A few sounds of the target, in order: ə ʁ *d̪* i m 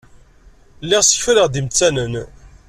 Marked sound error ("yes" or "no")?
no